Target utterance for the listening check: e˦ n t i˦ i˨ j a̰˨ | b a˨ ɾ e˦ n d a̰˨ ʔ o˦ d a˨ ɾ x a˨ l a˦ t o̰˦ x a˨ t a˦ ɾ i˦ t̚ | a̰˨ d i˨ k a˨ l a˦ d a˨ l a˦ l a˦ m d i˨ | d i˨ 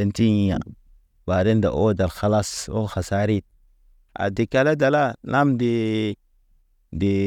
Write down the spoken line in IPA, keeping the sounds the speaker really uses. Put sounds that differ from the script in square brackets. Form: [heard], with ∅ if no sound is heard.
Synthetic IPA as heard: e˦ n t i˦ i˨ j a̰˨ | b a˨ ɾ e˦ n d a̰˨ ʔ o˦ d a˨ [l] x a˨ l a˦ [s] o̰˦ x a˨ [s] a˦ ɾ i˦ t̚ | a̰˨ d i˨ k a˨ l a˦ d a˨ l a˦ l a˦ m d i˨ | d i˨